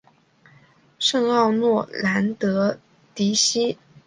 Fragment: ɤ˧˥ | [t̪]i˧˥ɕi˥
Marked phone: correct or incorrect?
correct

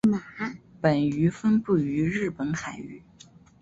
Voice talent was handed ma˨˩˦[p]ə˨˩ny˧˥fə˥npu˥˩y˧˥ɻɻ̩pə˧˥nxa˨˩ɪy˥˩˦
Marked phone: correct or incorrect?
correct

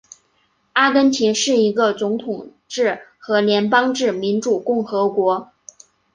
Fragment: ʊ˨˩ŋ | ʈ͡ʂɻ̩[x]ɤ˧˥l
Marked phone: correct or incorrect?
correct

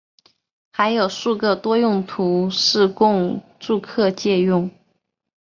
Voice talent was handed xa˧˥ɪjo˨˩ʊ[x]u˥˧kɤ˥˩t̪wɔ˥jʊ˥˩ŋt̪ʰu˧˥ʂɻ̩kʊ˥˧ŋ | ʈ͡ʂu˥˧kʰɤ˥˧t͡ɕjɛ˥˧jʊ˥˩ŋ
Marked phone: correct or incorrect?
incorrect: ʂ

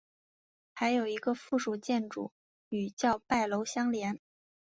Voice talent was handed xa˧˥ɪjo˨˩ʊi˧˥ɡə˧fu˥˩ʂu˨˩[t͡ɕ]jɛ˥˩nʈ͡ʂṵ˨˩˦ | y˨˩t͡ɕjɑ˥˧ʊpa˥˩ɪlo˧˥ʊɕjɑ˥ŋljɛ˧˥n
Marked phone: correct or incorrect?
correct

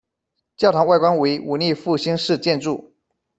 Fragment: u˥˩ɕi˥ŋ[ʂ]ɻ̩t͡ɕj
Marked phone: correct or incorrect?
correct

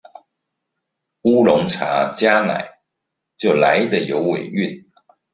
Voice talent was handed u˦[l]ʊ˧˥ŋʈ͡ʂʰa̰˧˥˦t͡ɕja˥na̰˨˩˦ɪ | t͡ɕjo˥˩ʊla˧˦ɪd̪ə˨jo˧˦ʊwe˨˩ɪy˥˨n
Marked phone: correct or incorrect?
correct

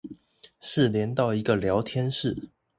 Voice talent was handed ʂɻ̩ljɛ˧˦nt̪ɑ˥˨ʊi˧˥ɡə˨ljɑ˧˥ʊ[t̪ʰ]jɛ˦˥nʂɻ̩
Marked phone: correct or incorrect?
correct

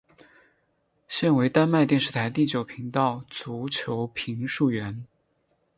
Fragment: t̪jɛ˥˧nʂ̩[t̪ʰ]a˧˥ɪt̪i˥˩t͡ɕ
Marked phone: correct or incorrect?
correct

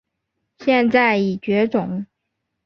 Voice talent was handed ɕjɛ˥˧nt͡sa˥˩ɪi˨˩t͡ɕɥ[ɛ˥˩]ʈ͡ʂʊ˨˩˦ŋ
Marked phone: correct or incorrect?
incorrect: ɛ˧˥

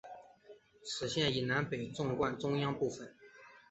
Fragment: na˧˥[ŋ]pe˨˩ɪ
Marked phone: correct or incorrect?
incorrect: n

